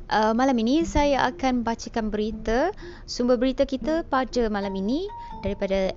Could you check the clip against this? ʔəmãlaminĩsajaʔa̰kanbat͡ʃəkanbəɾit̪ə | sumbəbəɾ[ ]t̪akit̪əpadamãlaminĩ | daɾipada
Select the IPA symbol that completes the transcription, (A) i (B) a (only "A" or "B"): A